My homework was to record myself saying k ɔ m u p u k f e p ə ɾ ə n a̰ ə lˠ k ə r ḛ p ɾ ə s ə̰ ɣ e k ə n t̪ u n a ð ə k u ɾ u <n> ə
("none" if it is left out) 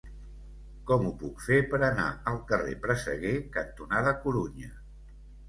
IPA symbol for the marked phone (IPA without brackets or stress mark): ɲ